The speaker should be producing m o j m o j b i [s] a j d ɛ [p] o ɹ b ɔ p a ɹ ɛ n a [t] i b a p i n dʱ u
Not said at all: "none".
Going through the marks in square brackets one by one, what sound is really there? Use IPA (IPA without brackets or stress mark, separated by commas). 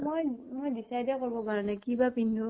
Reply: s, k, k